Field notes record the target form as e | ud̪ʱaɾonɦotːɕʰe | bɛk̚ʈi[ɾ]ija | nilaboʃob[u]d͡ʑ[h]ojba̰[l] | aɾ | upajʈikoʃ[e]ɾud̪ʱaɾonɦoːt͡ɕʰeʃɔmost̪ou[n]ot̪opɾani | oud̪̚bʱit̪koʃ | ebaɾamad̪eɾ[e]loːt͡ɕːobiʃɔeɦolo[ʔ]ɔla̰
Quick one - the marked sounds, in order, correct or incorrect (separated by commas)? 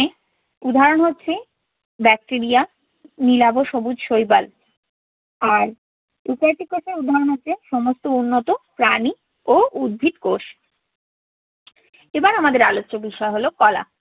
correct, correct, incorrect, correct, correct, incorrect, incorrect, incorrect